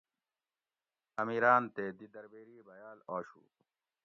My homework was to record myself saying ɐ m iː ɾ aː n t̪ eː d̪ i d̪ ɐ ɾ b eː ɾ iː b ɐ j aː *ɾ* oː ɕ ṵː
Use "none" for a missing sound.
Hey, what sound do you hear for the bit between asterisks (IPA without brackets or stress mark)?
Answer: l